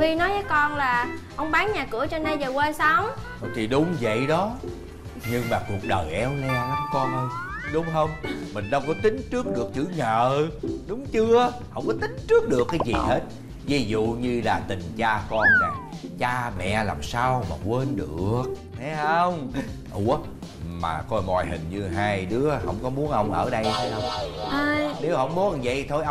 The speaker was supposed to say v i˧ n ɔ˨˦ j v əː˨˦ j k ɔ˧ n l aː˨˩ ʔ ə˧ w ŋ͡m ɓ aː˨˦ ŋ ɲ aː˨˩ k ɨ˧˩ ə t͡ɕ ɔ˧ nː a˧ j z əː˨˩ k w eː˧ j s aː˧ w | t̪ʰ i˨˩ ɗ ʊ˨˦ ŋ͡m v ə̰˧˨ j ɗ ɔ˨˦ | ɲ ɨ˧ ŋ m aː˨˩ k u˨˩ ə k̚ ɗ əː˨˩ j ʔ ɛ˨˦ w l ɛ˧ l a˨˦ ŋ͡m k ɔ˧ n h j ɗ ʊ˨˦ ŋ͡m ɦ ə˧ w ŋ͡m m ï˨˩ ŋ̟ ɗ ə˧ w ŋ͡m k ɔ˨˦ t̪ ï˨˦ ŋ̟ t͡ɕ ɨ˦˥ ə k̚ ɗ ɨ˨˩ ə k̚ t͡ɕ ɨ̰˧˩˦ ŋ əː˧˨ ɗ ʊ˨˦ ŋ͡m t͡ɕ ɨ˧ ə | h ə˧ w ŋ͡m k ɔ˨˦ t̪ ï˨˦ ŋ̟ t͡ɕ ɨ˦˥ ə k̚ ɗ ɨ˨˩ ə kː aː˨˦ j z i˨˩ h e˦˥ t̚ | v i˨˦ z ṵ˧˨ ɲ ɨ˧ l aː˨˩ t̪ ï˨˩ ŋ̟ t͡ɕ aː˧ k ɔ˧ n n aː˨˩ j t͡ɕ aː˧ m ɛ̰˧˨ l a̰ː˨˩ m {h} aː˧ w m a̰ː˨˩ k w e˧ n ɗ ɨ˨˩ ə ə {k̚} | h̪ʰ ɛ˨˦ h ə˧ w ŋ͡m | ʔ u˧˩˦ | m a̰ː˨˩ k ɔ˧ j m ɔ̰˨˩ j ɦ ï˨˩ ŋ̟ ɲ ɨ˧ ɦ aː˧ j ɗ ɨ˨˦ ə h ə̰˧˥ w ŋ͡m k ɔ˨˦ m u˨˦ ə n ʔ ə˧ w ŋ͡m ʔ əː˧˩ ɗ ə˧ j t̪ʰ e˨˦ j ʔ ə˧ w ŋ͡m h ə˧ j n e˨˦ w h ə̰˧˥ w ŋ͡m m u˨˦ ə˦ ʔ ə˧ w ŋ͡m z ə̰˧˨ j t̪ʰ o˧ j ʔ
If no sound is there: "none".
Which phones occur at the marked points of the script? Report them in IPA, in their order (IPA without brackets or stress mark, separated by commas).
s, k̚